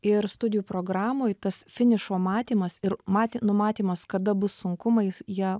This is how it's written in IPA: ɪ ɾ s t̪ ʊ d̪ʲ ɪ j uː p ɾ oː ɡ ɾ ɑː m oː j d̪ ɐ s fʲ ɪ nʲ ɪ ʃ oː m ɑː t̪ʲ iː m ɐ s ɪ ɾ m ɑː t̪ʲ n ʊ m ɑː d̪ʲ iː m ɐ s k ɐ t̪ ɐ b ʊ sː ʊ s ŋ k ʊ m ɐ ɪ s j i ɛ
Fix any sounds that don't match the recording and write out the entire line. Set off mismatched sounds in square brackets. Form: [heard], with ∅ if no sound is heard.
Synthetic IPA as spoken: ɪ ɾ s t̪ ʊ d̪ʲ ɪ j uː p ɾ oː ɡ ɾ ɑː m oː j [t̪] ɐ s fʲ ɪ nʲ ɪ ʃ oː m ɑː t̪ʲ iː m ɐ s ɪ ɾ m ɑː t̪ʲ n ʊ m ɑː [t̪ʲ] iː m ɐ s k ɐ [d̪] ɐ b ʊ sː ʊ [∅] ŋ k ʊ m ɐ ɪ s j i ɛ